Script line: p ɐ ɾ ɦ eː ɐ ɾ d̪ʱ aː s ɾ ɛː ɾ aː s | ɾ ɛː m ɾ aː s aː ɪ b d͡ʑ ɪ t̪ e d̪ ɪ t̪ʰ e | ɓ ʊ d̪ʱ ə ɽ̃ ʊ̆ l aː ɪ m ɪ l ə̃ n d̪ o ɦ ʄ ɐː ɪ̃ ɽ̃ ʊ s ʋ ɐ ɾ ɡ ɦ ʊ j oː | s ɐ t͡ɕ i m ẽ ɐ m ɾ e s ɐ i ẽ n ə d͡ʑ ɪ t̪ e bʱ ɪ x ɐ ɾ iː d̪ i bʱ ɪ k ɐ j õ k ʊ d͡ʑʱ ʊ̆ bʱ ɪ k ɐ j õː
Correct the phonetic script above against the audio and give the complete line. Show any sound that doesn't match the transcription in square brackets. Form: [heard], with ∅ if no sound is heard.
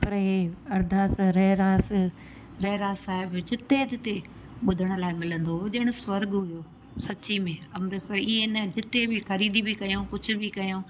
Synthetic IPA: p ɐ ɾ ɦ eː ɐ ɾ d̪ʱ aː s ɾ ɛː ɾ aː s | ɾ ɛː [∅] ɾ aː s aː ɪ b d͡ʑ ɪ t̪ e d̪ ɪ [t̪] e | ɓ ʊ d̪ʱ ə ɽ̃ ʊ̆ l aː ɪ m ɪ l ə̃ n d̪ o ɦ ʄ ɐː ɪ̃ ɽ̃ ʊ s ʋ ɐ ɾ ɡ ɦ ʊ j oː | s ɐ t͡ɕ i m ẽ ɐ m ɾ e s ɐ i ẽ n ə d͡ʑ ɪ t̪ e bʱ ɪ x ɐ ɾ iː d̪ i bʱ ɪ k ɐ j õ k ʊ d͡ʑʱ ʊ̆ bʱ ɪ k ɐ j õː

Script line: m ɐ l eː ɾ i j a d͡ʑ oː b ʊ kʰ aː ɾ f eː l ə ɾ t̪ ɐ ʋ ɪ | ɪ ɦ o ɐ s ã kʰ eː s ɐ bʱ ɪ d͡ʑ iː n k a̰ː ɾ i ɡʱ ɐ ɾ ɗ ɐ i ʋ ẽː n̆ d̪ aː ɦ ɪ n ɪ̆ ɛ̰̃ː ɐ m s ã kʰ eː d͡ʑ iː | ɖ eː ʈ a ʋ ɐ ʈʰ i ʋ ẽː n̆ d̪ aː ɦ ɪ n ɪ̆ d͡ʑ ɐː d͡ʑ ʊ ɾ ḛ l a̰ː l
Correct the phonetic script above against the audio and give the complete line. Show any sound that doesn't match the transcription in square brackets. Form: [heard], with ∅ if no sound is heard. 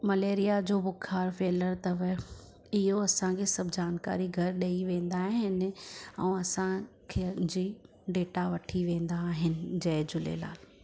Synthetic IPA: m ɐ l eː ɾ i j a d͡ʑ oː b ʊ kʰ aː ɾ f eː l ə ɾ t̪ ɐ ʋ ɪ | ɪ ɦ o ɐ s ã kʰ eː s ɐ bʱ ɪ d͡ʑ [aː] n k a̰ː ɾ i ɡʱ ɐ ɾ ɗ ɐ i ʋ ẽː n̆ d̪ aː ɦ ɪ n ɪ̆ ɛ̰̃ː ɐ [∅] s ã kʰ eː d͡ʑ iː | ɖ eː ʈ a ʋ ɐ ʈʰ i ʋ ẽː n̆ d̪ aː ɦ ɪ n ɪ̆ d͡ʑ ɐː d͡ʑ ʊ [l] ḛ l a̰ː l

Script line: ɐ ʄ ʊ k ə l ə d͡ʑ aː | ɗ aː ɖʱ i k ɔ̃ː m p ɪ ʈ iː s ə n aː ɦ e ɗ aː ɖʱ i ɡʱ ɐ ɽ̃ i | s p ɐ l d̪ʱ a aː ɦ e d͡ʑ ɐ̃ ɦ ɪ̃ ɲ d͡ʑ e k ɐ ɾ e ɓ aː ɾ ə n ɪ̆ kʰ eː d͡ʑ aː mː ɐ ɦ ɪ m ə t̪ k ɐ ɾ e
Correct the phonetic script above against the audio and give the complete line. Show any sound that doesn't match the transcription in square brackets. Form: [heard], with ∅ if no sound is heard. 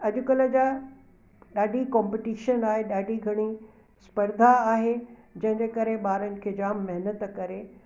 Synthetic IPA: ɐ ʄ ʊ k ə l ə d͡ʑ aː | ɗ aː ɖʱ i k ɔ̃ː m p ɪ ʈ iː [ʃ] ə n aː ɦ e ɗ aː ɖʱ i ɡʱ ɐ ɽ̃ i | s p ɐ [ɾ] d̪ʱ a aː ɦ e d͡ʑ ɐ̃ ɦ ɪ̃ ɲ d͡ʑ e k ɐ ɾ e ɓ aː ɾ ə n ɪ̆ kʰ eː d͡ʑ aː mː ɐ ɦ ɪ [n] ə t̪ k ɐ ɾ e

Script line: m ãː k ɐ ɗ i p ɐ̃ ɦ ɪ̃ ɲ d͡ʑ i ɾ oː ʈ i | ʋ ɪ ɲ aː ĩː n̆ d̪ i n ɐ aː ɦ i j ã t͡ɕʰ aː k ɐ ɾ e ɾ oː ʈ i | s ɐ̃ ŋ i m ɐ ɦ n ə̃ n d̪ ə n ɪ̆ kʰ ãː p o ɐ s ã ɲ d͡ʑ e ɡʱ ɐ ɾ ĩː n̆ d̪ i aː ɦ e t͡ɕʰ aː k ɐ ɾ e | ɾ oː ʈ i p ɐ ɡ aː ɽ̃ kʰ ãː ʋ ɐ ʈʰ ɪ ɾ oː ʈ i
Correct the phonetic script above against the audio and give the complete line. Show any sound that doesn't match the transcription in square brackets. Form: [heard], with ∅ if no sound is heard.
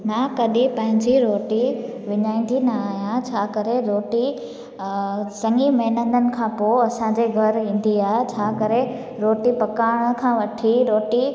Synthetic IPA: m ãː k ɐ ɗ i p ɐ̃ ɦ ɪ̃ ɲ d͡ʑ i ɾ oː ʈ i | ʋ ɪ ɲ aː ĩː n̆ d̪ i n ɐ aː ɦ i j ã t͡ɕʰ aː k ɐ ɾ e ɾ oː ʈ i | s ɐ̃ ŋ i m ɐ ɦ n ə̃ n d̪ ə n ɪ̆ kʰ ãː p o ɐ s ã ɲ d͡ʑ e ɡʱ ɐ ɾ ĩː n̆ d̪ i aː ɦ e t͡ɕʰ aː k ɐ ɾ e | ɾ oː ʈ i p ɐ [k] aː ɽ̃ kʰ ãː ʋ ɐ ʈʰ [i] ɾ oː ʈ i

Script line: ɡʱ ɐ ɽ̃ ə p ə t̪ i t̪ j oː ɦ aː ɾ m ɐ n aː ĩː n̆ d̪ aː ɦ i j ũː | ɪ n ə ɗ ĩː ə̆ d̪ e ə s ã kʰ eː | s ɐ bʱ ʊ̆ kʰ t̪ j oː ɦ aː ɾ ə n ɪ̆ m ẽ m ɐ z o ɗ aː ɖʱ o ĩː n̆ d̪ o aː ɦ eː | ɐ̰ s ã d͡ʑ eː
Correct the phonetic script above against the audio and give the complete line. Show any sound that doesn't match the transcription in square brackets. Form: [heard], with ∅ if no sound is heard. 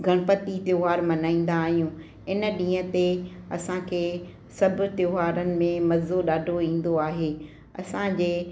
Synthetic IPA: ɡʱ ɐ ɽ̃ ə p ə t̪ i t̪ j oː ɦ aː ɾ m ɐ n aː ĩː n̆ d̪ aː ɦ i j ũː | ɪ n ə ɗ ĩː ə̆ [t̪] e [ɐ] s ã kʰ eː | s ɐ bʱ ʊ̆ [∅] t̪ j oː ɦ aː ɾ ə n ɪ̆ m ẽ m ɐ z o ɗ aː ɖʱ o ĩː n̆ d̪ o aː ɦ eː | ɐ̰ s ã d͡ʑ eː

